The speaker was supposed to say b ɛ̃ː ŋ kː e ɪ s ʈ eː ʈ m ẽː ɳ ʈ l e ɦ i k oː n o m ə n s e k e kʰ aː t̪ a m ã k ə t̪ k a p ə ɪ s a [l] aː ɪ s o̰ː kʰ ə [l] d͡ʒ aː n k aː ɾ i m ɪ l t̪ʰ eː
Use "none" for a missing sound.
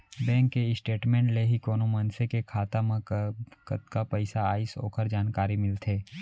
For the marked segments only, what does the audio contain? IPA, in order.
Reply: none, ɾ

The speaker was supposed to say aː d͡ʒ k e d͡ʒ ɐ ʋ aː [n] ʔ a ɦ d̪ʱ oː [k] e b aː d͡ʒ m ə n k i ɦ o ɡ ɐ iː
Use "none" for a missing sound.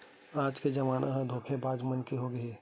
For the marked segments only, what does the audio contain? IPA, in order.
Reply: n, kʰ

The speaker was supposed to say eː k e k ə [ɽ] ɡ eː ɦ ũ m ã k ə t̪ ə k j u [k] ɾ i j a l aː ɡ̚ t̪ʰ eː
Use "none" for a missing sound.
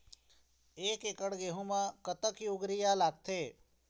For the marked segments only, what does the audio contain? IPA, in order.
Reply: ɽ, ɡ

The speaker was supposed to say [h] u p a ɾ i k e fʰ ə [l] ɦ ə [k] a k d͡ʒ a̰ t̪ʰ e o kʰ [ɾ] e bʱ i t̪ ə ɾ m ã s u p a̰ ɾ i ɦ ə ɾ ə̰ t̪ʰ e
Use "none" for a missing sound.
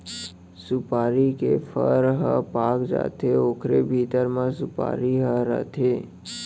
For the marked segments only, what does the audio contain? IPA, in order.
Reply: s, ɾ, p, ɾ

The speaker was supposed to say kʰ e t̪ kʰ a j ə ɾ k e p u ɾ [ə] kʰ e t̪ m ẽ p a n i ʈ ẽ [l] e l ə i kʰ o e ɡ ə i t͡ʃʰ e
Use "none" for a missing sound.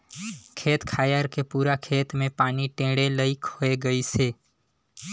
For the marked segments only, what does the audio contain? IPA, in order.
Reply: a, ɽ

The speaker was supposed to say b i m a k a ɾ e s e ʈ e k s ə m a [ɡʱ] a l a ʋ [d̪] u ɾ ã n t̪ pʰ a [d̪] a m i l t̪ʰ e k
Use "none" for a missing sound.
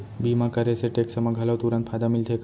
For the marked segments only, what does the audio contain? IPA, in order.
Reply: ɡʱ, t̪, d̪

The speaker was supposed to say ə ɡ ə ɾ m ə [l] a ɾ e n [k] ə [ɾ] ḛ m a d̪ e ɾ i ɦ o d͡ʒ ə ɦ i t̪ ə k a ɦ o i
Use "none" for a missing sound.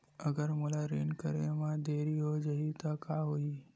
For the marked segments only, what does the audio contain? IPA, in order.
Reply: l, k, ɾ

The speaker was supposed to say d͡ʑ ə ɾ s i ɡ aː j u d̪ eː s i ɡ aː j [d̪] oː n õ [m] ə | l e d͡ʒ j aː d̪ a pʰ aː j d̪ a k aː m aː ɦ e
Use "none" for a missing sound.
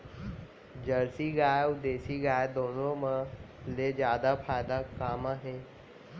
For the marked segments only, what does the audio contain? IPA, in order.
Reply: d̪, m

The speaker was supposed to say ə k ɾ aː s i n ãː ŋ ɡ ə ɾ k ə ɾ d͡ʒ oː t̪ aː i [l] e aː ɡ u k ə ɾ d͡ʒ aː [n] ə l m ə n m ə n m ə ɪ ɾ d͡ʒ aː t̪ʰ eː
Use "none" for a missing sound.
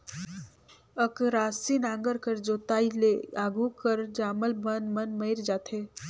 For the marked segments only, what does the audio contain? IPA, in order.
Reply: l, m

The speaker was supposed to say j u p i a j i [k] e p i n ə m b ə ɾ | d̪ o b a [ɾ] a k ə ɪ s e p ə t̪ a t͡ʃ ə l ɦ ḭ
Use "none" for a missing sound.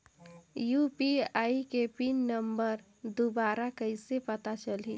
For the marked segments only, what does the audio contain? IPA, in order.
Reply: k, ɾ

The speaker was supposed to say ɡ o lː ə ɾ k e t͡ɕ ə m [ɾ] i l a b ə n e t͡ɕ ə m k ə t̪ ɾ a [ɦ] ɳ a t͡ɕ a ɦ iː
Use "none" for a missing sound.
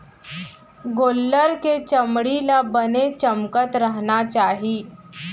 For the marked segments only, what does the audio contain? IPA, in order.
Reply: ɽ, ɦ

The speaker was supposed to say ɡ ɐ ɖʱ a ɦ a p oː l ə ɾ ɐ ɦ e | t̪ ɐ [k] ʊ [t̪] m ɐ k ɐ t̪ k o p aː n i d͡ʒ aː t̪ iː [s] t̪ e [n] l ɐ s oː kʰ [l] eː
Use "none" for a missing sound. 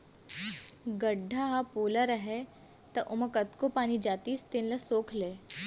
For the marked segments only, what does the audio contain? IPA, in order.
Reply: ʔ, none, s, n, l

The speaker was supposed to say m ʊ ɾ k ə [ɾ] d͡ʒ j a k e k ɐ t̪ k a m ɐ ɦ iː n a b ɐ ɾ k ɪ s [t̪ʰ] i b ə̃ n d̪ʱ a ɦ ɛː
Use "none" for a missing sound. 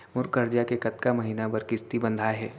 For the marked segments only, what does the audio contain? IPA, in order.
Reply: ɾ, t̪

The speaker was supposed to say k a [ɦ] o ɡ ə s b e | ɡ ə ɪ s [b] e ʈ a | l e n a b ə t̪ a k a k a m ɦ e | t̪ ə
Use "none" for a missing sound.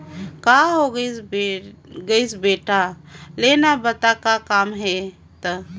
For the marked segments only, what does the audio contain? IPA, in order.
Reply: ɦ, b

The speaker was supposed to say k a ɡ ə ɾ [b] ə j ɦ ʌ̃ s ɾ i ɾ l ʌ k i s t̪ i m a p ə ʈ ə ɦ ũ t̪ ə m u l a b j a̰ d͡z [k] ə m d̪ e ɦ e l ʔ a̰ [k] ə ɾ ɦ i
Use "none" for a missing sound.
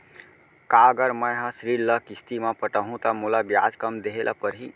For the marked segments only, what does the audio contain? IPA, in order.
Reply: m, k, p

